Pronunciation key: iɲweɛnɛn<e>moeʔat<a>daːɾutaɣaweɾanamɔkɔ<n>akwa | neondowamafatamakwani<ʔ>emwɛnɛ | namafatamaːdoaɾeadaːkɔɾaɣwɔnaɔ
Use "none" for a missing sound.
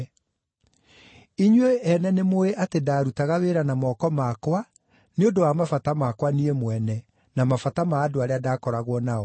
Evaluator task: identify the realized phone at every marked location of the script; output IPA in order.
e, e, m, none

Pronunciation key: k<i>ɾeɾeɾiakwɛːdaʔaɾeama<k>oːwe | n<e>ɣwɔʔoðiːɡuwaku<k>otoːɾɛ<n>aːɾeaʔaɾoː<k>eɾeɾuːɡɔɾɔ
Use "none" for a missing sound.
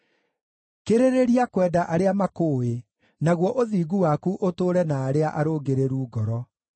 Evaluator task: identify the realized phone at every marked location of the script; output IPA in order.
e, k, a, ʔ, n, ɡ

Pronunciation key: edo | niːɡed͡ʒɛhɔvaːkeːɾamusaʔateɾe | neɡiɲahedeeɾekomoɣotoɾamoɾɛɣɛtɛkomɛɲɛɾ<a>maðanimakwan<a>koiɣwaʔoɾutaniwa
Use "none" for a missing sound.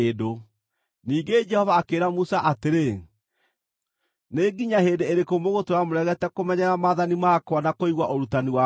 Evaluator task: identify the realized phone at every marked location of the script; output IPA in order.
a, a

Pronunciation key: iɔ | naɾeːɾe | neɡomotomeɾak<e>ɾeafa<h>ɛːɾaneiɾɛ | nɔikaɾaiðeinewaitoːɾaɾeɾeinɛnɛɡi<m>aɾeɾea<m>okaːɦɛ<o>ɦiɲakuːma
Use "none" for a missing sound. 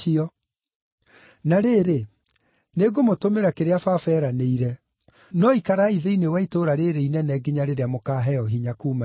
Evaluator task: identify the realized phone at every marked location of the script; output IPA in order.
e, f, ɲ, m, ɔ

